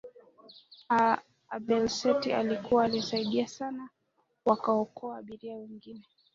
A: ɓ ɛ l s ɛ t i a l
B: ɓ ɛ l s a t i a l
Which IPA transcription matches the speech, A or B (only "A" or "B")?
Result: A